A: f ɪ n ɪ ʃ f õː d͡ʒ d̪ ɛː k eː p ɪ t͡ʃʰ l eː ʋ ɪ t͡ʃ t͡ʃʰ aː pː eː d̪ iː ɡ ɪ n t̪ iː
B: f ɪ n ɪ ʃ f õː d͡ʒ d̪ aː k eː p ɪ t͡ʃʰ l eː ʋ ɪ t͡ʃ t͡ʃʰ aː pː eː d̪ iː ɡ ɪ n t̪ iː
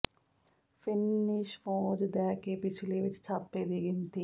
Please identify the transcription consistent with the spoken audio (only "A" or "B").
A